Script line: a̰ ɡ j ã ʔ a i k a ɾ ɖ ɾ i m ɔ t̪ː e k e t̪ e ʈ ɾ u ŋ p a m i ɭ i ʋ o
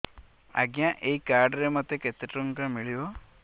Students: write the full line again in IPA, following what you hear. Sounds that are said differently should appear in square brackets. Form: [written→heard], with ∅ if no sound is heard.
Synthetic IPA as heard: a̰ ɡ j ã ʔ [a→e] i k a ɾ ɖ ɾ [i→e] m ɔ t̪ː e k e t̪ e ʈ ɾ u ŋ [p→k] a m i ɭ i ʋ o